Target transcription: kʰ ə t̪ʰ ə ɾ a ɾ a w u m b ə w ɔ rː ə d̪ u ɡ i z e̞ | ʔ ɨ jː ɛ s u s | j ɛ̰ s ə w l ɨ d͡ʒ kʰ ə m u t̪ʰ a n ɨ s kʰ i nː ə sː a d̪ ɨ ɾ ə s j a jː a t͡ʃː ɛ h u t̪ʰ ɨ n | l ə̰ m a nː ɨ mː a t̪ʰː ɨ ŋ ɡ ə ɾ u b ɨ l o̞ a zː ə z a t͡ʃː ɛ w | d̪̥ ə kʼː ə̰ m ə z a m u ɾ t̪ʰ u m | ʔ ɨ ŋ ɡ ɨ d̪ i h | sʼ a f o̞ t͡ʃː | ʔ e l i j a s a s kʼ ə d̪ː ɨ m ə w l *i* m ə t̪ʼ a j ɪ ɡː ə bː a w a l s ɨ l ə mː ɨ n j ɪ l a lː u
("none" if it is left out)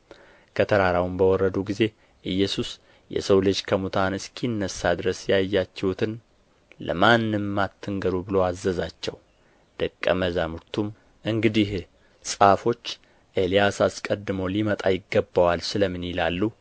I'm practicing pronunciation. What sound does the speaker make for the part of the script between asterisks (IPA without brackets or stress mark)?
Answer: i